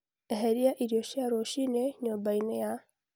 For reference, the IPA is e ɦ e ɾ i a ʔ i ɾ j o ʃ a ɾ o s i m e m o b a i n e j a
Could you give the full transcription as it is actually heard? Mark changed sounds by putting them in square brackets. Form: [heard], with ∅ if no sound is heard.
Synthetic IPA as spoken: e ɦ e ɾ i a ʔ i ɾ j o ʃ a ɾ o [ʃ] i [n] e [ɲ] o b a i n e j a